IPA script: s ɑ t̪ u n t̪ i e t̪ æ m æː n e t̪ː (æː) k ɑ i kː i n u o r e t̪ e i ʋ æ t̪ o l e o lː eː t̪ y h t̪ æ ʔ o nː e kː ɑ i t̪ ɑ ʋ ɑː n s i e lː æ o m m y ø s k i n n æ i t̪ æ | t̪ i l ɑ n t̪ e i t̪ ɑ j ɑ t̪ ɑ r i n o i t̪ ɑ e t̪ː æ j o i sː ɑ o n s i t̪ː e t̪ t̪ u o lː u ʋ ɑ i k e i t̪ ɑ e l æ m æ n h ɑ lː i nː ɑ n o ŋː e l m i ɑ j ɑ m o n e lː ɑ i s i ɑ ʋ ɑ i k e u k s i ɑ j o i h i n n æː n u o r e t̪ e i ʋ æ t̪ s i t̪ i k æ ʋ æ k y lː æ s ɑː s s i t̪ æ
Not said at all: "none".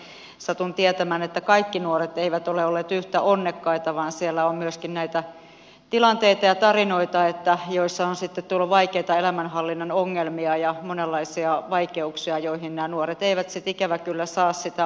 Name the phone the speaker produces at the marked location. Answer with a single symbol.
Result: æ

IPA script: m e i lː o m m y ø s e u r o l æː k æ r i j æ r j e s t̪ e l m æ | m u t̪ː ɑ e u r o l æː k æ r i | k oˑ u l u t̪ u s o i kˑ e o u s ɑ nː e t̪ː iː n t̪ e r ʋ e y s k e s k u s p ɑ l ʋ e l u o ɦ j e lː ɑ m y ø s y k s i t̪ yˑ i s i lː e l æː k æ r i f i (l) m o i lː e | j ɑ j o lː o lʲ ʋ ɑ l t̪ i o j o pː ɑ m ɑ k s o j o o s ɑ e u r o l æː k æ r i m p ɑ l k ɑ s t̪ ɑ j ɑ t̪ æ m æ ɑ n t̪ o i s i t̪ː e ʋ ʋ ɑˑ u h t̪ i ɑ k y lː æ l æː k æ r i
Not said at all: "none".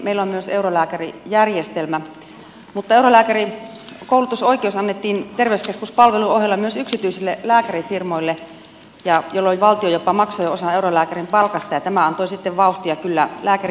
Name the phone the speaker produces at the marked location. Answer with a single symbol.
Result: r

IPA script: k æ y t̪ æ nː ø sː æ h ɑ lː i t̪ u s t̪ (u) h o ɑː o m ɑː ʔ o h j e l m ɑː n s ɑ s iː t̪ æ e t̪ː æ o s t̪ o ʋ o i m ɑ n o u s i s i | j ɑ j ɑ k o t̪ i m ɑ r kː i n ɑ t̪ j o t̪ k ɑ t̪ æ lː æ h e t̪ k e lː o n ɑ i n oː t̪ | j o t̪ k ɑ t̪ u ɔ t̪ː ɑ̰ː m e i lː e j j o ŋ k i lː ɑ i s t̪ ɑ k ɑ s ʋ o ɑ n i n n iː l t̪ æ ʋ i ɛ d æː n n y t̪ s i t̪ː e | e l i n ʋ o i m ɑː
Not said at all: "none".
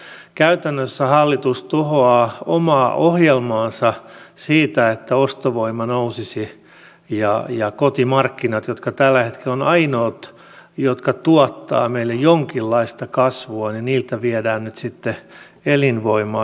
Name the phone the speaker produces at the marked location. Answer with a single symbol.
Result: u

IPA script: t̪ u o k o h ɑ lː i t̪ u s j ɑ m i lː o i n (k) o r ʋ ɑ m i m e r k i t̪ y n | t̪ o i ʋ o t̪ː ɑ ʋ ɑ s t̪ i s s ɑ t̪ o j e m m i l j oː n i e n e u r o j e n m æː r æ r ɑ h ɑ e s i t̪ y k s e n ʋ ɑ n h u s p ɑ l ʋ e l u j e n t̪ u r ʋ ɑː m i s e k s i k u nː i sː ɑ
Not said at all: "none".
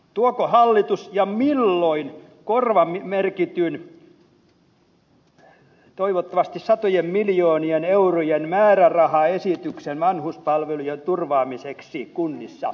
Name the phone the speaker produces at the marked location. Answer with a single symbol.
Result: k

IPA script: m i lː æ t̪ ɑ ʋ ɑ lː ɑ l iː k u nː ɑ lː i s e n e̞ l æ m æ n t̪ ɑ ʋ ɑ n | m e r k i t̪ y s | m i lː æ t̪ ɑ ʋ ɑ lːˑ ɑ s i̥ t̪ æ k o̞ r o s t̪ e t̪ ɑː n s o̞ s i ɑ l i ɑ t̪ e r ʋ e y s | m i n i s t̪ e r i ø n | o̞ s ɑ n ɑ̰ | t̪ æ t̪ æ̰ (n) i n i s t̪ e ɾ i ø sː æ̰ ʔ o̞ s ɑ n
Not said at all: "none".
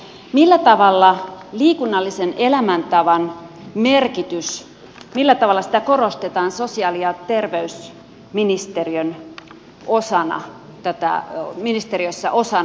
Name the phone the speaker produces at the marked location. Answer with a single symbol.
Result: m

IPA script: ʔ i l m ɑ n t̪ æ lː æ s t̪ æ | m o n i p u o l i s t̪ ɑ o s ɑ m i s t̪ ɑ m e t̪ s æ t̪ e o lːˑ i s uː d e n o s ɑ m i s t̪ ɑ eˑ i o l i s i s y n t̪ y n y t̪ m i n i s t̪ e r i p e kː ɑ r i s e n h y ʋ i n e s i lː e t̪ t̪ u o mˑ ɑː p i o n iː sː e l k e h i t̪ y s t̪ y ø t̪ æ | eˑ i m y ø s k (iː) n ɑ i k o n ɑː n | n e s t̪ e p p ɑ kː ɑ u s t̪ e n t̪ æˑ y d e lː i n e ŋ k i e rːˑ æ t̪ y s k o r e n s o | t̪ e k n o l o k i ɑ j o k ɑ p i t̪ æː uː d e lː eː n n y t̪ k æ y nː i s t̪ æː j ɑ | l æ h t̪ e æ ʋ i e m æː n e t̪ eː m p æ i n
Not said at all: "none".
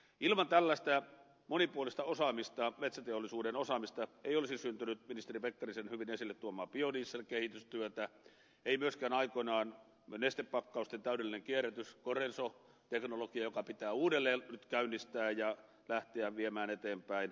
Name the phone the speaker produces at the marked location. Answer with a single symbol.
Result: æː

